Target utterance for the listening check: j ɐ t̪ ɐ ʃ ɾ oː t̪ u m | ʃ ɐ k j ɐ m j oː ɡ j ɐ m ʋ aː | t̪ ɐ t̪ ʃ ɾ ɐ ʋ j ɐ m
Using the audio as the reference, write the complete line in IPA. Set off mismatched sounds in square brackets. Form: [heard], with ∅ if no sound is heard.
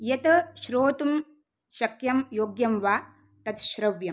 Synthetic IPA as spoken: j ɐ t̪ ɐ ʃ ɾ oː t̪ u m | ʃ ɐ k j ɐ m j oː ɡ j ɐ m ʋ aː | t̪ ɐ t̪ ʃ ɾ ɐ ʋ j ɐ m